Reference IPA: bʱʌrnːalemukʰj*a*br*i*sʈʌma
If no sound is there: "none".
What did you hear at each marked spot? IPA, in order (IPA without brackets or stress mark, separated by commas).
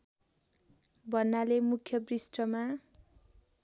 ʌ, i